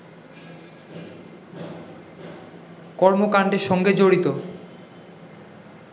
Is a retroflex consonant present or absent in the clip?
present